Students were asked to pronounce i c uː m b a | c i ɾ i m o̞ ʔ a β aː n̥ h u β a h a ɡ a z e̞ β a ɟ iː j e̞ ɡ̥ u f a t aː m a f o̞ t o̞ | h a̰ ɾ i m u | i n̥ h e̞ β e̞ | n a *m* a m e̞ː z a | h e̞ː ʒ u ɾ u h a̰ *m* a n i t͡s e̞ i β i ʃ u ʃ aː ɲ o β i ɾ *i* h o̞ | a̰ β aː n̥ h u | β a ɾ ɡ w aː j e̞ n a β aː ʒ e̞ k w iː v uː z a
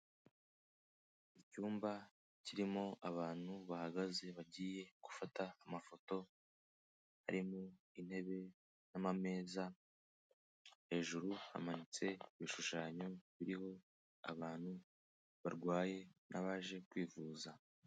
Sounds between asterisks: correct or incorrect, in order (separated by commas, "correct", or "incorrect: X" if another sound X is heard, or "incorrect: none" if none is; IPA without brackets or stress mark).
correct, correct, correct